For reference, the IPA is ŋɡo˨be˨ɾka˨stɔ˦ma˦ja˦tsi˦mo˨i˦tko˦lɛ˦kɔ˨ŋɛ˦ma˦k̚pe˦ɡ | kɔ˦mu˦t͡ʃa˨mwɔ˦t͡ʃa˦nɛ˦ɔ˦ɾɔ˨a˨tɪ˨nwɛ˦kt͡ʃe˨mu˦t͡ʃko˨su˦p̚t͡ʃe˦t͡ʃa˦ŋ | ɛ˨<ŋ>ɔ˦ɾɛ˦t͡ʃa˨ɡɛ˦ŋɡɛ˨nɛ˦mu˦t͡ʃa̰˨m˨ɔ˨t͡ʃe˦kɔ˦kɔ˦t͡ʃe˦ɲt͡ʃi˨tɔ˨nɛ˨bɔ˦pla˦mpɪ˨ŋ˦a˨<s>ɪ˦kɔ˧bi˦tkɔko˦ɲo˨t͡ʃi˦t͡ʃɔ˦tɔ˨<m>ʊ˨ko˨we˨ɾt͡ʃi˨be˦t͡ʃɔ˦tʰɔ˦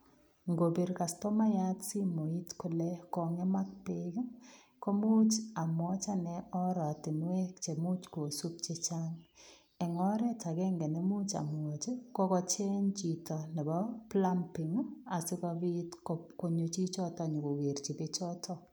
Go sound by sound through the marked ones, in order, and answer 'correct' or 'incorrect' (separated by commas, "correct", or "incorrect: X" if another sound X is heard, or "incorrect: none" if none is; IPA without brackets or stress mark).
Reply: correct, correct, incorrect: ɲ